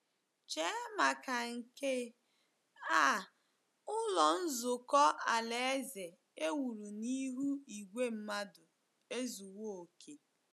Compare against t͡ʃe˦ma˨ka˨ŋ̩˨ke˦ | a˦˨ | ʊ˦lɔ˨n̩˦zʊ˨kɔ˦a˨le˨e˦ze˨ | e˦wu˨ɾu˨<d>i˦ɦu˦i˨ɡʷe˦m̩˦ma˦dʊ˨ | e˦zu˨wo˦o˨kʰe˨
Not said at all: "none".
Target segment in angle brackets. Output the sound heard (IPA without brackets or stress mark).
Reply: n